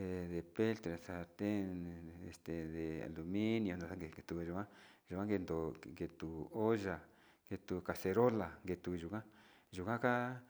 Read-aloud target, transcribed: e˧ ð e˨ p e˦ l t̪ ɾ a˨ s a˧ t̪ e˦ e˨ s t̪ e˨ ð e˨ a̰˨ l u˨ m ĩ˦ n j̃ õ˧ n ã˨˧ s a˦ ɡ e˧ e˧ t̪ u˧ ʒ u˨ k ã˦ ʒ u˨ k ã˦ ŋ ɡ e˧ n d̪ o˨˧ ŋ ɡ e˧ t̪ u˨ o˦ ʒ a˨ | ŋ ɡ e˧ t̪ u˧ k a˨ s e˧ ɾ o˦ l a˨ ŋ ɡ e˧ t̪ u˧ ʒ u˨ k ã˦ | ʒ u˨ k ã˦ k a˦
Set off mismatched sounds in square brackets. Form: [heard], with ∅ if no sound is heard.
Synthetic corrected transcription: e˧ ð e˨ p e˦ l t̪ ɾ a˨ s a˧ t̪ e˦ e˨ s t̪ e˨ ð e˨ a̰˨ l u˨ m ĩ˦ n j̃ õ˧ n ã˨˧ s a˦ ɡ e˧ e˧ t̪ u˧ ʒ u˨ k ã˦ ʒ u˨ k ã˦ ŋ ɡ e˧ n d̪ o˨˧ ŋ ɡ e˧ t̪ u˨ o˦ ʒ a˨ | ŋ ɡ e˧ t̪ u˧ k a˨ s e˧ ɾ o˦ l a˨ ŋ ɡ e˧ t̪ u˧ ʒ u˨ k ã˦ | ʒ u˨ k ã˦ k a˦

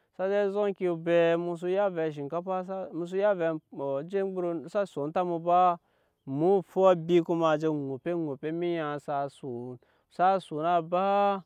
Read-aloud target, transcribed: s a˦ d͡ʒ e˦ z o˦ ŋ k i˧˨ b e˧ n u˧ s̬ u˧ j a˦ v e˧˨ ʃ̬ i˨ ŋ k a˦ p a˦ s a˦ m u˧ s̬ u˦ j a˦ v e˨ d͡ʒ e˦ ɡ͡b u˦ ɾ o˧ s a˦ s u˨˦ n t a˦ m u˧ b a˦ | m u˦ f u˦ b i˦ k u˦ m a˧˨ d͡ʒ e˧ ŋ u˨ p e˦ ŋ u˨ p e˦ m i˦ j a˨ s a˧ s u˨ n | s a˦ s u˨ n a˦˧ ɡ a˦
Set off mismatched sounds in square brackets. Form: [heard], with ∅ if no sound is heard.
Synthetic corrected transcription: s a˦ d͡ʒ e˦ z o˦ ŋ k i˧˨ b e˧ [m] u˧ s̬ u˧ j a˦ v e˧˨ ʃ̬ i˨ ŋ k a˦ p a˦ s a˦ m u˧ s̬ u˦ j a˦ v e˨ d͡ʒ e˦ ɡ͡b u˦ ɾ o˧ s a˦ s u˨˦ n t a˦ m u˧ b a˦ | m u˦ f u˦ b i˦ k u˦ m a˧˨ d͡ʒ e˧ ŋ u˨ p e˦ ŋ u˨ p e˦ m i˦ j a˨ s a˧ s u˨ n | s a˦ s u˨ n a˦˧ [b] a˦

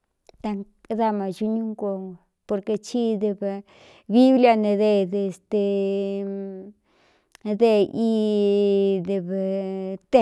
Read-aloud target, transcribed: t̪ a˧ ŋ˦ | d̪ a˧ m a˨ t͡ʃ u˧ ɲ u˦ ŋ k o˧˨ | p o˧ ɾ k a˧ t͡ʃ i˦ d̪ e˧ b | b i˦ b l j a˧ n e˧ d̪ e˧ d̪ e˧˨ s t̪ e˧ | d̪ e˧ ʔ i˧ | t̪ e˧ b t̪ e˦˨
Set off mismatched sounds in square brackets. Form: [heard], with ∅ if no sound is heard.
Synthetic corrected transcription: t̪ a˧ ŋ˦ | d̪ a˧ m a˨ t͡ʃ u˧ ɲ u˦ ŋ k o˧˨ | p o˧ ɾ k [e˧] t͡ʃ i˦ d̪ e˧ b | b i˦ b l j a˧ n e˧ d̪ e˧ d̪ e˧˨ s t̪ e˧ | d̪ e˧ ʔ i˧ | [d̪] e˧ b t̪ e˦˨

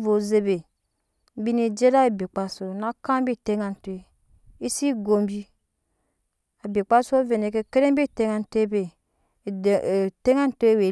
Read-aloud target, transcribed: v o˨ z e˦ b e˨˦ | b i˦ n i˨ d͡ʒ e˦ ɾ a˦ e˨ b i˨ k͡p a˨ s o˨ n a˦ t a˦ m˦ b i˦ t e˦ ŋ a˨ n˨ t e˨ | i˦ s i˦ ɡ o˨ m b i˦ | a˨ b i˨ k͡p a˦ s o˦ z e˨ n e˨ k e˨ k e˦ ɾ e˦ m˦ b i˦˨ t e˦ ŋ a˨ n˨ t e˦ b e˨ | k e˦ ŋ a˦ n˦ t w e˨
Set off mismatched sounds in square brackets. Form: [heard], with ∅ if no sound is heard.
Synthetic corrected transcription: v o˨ z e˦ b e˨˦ | b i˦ n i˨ d͡ʒ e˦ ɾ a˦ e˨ b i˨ k͡p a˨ s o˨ n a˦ [k] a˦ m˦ b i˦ t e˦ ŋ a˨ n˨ t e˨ | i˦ s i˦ ɡ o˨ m b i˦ | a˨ b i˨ k͡p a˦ s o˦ [v] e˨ n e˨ k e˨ k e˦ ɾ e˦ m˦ b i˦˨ t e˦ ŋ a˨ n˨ t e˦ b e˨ | [t] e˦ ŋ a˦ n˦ t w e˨

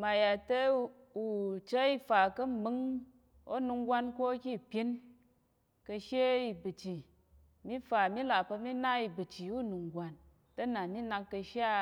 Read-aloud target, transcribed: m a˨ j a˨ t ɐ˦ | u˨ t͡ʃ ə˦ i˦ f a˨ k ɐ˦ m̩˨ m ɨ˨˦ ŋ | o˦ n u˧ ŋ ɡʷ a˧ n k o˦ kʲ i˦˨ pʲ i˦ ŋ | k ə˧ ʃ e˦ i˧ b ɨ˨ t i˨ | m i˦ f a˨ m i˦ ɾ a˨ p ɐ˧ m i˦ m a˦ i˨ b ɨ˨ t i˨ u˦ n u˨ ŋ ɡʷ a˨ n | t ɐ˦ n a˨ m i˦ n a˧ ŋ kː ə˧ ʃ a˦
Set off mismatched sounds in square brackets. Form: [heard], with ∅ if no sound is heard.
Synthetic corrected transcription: m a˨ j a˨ t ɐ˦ | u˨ t͡ʃ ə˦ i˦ f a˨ k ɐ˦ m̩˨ m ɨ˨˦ ŋ | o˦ n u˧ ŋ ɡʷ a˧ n k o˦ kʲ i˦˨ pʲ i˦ [n] | k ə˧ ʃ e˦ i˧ b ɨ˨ [t͡ʃ] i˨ | m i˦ f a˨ m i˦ [l] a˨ p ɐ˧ m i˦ [n] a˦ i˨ b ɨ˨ [t͡ʃ] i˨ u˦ n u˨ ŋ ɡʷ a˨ n | t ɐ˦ n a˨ m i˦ n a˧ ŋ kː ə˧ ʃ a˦

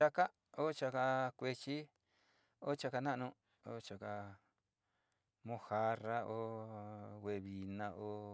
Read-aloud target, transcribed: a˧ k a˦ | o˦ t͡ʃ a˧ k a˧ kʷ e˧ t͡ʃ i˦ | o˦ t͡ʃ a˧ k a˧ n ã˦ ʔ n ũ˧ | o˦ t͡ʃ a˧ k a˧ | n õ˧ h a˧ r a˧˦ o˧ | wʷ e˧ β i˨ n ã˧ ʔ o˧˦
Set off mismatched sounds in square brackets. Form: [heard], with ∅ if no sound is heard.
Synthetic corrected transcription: a˧ k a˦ | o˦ t͡ʃ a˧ k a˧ kʷ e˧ t͡ʃ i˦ | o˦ t͡ʃ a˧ k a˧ n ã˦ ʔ n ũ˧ | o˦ t͡ʃ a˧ k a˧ | [m] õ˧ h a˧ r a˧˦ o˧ | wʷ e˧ β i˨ n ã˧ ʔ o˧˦

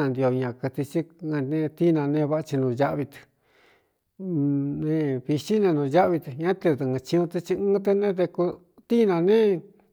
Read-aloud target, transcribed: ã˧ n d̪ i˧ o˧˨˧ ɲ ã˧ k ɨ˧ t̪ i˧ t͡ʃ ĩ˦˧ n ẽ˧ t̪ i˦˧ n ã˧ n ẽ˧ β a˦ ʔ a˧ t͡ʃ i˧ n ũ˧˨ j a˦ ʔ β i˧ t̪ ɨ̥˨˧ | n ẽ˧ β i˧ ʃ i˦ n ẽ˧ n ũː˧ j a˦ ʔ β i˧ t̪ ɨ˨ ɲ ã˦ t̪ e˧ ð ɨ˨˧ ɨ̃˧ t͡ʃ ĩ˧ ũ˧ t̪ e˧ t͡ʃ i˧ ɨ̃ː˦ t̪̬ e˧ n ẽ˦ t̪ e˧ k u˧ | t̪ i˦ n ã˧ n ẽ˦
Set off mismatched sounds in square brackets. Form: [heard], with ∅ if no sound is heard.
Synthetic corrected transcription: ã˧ n d̪ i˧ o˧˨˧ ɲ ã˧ k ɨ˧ t̪ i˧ t͡ʃ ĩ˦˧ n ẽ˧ t̪ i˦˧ n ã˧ n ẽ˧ β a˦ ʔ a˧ t͡ʃ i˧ n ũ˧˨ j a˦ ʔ β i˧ t̪ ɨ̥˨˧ | n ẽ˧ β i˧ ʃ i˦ n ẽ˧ n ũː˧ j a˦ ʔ β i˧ t̪ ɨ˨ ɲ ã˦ t̪ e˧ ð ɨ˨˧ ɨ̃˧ t͡ʃ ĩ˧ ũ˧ t̪ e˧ t͡ʃ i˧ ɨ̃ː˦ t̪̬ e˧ n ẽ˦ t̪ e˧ k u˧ | t̪ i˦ n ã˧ n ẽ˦

